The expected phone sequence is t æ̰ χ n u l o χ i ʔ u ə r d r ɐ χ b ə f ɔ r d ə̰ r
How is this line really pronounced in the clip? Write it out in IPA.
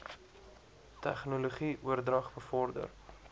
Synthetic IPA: t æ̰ χ n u l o χ i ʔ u ə r d r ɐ χ b ə f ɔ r d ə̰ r